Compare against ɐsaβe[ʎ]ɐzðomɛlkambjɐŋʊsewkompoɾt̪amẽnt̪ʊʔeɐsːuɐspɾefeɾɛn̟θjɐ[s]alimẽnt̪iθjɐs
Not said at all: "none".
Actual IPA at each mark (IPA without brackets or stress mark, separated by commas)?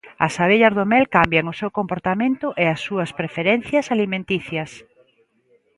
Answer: ʎ, s